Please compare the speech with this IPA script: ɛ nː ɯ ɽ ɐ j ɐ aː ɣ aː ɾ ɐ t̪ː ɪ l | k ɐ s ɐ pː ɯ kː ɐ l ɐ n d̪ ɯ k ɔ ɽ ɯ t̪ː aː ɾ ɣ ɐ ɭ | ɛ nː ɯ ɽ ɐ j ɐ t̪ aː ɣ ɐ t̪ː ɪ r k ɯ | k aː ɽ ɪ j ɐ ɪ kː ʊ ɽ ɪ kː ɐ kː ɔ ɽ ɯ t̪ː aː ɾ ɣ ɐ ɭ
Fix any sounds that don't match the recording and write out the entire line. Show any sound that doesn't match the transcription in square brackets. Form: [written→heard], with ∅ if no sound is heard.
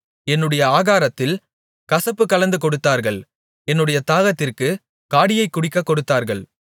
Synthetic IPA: ɛ nː ɯ ɽ ɐ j ɐ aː ɣ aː ɾ ɐ t̪ː ɪ l | k ɐ s ɐ pː ɯ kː ɐ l ɐ n d̪ ɯ k ɔ ɽ ɯ t̪ː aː ɾ ɣ ɐ ɭ | ɛ nː ɯ ɽ ɐ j ɐ t̪ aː ɣ ɐ t̪ː ɪ r k ɯ | k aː ɽ ɪ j ɐ ɪ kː ʊ ɽ ɪ kː ɐ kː ɔ ɽ ɯ t̪ː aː ɾ ɣ ɐ ɭ